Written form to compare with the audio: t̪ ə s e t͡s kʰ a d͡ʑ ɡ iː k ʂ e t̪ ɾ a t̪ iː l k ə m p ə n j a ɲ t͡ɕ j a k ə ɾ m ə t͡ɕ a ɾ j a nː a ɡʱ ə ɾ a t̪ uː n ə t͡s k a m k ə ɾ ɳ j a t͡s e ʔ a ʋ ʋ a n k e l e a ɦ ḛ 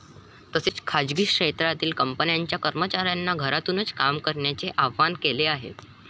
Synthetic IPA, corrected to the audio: t̪ ə s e t͡s kʰ a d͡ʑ ɡ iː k ʂ e t̪ ɾ a t̪ iː l k ə m p ə n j a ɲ t͡ɕ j a k ə ɾ m ə t͡ɕ a ɾ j a nː a ɡʱ ə ɾ a t̪ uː n ə t͡s k a m k ə ɾ ɳ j a t͡s e ʔ a ʋ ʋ a n k e l e a ɦ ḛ